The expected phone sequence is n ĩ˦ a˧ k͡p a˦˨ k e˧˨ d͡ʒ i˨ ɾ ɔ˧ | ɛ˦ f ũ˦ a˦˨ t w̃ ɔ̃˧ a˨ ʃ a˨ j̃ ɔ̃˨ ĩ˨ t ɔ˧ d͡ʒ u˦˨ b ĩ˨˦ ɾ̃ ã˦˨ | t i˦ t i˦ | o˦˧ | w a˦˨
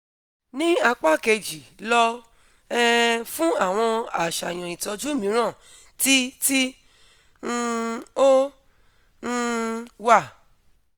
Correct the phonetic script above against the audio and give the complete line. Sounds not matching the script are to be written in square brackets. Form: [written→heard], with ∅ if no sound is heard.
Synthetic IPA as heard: n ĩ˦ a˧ k͡p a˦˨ k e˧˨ d͡ʒ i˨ [ɾ→l] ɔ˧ | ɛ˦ f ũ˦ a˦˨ [t→∅] w̃ ɔ̃˧ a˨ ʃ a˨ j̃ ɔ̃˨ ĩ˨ t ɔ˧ d͡ʒ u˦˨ [b→m] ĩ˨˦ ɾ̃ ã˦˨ | t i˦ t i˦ | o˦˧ | w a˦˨